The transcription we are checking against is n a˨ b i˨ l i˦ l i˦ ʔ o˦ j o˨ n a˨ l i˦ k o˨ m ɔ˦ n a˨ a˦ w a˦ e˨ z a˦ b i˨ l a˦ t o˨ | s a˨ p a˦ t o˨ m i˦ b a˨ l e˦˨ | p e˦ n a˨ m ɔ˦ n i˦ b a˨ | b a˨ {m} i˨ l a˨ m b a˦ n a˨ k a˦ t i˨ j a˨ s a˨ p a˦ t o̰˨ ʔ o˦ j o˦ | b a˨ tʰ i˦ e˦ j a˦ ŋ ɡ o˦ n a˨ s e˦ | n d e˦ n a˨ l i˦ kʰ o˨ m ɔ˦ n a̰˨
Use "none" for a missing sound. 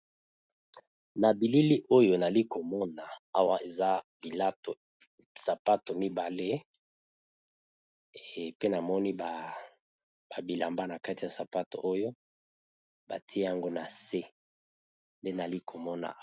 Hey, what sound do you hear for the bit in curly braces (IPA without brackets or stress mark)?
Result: b